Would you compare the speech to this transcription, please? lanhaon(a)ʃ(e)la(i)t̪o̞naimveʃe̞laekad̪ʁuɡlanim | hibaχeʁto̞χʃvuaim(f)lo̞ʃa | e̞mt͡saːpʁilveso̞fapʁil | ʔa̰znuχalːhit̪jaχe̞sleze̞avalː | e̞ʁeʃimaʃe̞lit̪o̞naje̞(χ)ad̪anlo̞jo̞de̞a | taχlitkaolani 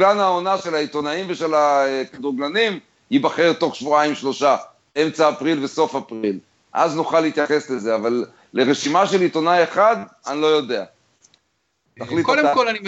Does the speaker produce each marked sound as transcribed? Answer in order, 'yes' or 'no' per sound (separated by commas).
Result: yes, yes, yes, no, yes